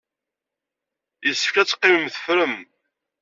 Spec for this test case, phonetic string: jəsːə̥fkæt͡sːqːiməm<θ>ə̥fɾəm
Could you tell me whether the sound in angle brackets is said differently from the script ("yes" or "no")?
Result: no